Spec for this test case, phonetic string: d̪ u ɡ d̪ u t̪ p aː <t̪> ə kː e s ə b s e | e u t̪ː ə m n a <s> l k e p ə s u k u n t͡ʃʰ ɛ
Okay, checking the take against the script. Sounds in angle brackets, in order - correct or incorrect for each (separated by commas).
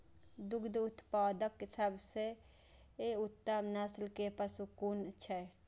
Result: incorrect, correct